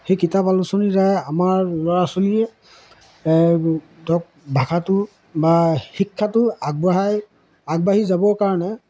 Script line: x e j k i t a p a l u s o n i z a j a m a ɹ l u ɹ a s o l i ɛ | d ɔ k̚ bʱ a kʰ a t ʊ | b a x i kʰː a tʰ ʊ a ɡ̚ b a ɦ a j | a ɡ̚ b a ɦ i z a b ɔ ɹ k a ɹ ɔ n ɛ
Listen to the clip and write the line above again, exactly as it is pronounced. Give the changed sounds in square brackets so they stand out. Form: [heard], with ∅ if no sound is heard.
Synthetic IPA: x e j k i t a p a l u s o n i z a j a m a ɹ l [ɔ] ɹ a s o l i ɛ | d ɔ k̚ bʱ a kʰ a t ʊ | b a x i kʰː a [t] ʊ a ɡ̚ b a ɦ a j | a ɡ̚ b a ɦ i z a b ɔ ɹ k a ɹ ɔ n ɛ